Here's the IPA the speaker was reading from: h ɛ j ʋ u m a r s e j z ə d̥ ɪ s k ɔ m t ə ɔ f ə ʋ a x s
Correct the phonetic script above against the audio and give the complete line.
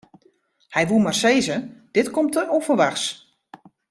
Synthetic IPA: h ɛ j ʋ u m a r s e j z ə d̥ ɪ t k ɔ m t ə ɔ f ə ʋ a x s